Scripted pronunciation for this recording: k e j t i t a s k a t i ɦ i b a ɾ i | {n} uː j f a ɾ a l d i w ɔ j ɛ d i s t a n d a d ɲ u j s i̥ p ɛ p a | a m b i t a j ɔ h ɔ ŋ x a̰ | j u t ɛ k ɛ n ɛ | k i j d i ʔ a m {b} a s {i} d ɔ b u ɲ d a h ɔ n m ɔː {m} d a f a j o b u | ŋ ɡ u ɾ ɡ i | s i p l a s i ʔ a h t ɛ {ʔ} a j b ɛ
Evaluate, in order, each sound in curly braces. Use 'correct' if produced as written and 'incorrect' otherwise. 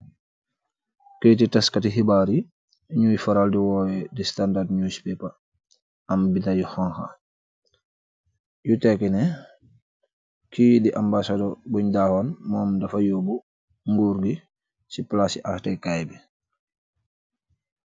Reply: incorrect: ɲ, correct, incorrect: a, correct, incorrect: k

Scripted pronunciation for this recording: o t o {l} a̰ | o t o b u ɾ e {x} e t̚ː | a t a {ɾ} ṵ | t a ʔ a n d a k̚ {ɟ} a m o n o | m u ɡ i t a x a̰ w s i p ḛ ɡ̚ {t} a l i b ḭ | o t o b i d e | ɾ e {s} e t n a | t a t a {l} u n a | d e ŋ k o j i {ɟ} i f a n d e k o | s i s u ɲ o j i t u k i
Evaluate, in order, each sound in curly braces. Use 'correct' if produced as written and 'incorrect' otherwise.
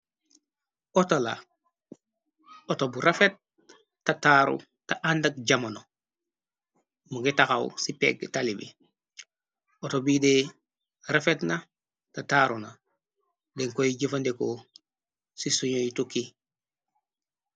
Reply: correct, incorrect: f, correct, correct, correct, incorrect: f, incorrect: ɾ, correct

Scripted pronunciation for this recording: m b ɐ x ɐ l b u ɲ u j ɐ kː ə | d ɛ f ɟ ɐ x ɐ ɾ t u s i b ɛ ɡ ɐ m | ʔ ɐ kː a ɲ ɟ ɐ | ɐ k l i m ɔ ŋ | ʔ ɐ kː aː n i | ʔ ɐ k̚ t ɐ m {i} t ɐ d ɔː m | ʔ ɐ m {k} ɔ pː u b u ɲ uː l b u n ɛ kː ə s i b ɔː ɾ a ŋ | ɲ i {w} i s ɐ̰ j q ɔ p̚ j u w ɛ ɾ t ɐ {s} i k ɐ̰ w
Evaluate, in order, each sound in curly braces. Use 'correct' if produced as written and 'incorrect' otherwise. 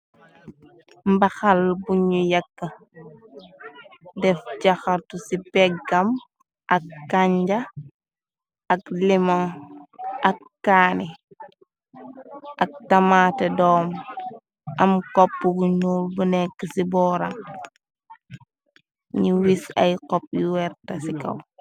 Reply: incorrect: a, correct, correct, correct

